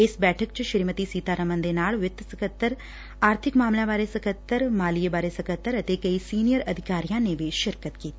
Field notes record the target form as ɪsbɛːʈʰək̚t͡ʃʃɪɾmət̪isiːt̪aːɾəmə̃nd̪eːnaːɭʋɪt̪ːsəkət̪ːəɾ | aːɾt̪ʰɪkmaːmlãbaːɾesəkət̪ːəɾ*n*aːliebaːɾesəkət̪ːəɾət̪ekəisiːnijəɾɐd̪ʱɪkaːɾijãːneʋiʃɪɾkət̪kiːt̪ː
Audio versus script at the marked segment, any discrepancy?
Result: yes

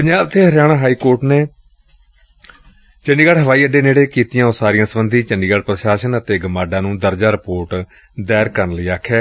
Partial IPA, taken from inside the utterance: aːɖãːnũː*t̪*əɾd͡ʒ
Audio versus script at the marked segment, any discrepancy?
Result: yes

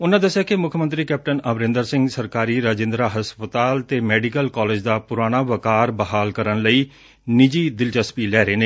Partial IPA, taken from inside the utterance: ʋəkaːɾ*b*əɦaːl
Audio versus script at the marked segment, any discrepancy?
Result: no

